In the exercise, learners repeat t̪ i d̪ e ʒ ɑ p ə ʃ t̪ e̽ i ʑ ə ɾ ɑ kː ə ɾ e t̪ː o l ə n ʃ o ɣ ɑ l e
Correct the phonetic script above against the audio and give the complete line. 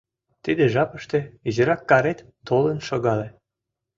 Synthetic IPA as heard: t̪ i d̪ e ʒ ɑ p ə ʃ t̪ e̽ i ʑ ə ɾ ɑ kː ɑ ɾ e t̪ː o l ə n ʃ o ɣ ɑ l e